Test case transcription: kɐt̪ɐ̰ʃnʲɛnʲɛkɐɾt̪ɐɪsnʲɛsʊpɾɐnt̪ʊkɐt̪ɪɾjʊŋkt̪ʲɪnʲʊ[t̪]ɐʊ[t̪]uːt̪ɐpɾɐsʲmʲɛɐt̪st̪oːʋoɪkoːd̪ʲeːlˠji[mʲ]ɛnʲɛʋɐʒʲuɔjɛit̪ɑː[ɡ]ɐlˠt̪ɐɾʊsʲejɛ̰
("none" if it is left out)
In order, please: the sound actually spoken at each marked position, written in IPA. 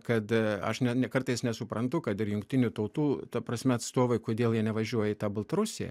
t̪, t̪, none, b

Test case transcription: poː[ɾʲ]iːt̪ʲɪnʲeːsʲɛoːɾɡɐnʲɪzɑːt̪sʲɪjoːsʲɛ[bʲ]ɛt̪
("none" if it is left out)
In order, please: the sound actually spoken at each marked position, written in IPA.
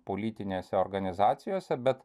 lʲ, bʲ

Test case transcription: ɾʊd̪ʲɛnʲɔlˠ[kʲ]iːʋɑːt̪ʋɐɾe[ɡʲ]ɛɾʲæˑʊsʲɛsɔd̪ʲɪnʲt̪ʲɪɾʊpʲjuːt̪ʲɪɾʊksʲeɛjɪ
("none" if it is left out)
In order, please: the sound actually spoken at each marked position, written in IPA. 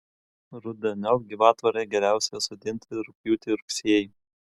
ɡʲ, ɡʲ

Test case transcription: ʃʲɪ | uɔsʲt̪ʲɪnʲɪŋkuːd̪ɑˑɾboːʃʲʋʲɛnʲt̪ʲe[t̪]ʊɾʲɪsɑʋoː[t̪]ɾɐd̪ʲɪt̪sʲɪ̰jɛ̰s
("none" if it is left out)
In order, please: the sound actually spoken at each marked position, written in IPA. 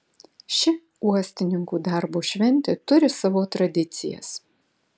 t̪, t̪

